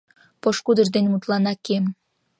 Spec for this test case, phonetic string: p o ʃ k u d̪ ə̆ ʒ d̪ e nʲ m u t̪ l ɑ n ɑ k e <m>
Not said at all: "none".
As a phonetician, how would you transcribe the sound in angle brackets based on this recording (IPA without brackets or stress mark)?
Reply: m